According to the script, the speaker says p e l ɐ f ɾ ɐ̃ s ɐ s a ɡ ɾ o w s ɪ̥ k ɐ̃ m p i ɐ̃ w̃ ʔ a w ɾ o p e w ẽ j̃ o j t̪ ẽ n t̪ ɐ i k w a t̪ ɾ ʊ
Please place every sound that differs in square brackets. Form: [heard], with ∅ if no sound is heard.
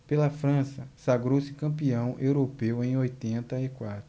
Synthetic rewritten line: p e l ɐ f ɾ ɐ̃ s ɐ s a ɡ ɾ o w s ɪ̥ k ɐ̃ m p i ɐ̃ w̃ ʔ [e] w ɾ o p e w ẽ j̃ o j t̪ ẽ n t̪ ɐ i k w a t̪ ɾ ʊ